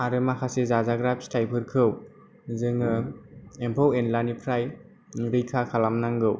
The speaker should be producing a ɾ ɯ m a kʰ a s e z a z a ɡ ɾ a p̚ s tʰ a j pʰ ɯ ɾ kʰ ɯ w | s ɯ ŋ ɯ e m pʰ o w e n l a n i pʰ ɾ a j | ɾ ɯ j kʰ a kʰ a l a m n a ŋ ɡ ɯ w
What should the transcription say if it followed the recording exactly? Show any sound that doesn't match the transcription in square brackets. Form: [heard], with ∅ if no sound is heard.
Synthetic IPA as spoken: a ɾ ɯ m a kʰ a s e z a z a ɡ ɾ a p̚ s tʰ a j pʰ ɯ ɾ kʰ ɯ w | [z] ɯ ŋ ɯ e m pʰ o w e n l a n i pʰ ɾ a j | ɾ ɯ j kʰ a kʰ a l a m n a ŋ ɡ ɯ w